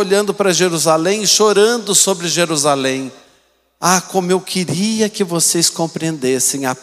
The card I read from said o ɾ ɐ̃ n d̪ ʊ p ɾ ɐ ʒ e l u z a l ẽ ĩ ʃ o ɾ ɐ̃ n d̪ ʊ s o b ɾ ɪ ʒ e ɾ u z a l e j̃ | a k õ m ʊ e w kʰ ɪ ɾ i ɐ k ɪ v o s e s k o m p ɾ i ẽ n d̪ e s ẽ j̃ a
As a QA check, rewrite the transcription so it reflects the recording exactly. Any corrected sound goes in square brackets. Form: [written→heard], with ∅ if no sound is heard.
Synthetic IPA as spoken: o [ɾ→ʎ] ɐ̃ n d̪ ʊ p ɾ ɐ ʒ e [l→ɾ] u z a l ẽ [ĩ→j̃] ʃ o ɾ ɐ̃ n d̪ ʊ s o b ɾ ɪ ʒ e ɾ u z a l [e→ẽ] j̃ | a k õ m ʊ e w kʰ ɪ ɾ i ɐ k ɪ v o s e s k [o→õ] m p ɾ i ẽ n d̪ e s ẽ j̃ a